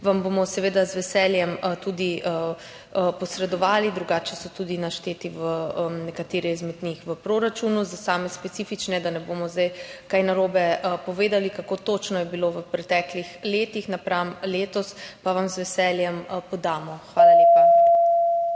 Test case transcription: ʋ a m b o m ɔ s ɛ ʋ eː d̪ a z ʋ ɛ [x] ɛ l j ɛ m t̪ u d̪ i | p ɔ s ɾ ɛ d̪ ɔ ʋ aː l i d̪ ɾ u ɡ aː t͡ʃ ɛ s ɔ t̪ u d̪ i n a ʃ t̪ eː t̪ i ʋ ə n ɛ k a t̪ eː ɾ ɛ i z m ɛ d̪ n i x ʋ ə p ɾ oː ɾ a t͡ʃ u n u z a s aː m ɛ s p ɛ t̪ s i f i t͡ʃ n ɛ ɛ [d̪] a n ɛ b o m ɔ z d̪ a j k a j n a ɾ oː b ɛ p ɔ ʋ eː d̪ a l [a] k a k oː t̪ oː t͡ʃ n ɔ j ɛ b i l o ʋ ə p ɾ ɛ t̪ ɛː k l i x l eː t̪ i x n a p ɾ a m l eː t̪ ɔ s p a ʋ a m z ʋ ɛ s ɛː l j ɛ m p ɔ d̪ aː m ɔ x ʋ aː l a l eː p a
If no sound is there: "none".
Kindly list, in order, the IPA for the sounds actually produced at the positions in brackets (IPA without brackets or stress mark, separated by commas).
s, d̪, i